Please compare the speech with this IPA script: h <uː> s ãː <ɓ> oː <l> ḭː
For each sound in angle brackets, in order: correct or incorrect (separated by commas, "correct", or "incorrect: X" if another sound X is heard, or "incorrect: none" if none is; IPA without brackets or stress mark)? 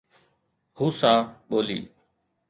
correct, correct, correct